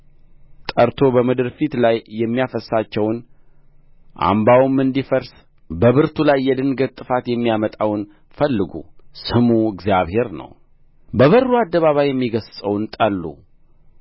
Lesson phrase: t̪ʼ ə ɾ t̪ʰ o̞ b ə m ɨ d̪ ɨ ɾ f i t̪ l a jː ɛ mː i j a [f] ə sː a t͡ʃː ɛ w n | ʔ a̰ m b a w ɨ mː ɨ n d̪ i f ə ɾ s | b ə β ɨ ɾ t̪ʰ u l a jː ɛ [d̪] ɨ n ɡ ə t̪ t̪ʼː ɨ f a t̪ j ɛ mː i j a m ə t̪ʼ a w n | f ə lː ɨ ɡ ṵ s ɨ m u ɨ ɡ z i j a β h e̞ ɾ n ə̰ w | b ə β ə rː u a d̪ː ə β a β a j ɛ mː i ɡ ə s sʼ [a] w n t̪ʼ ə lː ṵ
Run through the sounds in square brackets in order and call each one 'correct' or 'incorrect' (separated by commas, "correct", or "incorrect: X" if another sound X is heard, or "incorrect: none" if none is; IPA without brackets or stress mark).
correct, correct, incorrect: ə